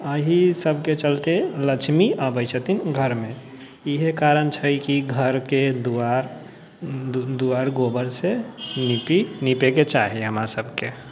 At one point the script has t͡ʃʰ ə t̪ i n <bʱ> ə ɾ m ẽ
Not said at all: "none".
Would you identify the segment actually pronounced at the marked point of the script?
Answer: ɡʱ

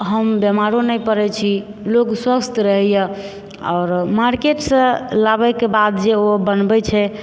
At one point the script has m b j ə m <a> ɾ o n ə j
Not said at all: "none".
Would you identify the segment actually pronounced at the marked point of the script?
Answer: a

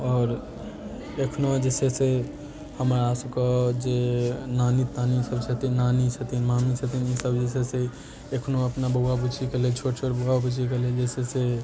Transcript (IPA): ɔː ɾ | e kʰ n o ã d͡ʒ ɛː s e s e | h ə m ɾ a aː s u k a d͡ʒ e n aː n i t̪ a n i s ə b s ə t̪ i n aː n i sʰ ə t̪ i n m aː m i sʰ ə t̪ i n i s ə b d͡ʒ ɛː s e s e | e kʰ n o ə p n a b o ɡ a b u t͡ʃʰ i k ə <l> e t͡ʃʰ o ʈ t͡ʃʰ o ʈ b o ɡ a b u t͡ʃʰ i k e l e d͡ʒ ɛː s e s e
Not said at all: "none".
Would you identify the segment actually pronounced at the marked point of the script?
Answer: l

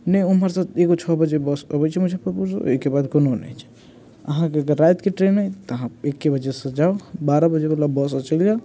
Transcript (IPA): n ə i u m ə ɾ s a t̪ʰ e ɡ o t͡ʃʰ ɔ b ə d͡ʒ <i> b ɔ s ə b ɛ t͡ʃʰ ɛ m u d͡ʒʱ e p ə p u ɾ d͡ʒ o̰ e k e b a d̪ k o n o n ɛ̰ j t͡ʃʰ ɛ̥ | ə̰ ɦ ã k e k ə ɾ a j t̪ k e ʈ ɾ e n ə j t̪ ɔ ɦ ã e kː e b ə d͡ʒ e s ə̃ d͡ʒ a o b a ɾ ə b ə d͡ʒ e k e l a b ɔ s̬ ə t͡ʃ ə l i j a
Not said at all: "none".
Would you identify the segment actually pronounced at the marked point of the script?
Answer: e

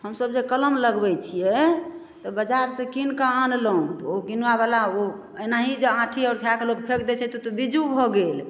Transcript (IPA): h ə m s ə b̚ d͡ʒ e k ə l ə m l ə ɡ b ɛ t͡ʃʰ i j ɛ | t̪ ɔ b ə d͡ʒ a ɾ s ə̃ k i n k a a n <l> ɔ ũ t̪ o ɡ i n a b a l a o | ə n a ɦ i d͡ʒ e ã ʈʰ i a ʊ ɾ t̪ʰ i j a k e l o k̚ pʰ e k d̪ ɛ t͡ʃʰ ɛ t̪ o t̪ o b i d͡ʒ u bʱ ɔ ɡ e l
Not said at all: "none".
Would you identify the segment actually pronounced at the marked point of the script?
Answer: l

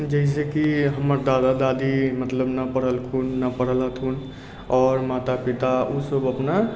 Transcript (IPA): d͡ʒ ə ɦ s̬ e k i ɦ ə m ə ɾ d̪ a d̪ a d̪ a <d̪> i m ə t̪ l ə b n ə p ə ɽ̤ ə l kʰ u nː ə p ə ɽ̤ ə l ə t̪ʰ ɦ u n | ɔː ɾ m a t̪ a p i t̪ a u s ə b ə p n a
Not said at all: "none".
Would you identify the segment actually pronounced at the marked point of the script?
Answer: d̪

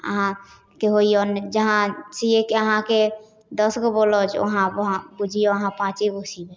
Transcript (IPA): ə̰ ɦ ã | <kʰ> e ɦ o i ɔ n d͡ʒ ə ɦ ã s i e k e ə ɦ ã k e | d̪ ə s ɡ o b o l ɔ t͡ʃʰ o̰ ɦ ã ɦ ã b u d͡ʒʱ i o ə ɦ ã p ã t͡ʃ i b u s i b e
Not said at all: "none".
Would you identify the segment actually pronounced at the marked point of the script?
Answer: k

